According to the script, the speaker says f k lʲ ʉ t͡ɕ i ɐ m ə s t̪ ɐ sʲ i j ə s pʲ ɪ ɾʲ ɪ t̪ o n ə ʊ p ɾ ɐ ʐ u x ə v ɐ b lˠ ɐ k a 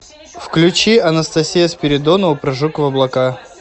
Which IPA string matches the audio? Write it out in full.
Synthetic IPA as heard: f k lʲ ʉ t͡ɕ i ɐ n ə s t̪ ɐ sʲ i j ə s pʲ ɪ ɾʲ ɪ d̪ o n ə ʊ p ɾ ɐ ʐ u k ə v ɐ b lˠ ɐ k a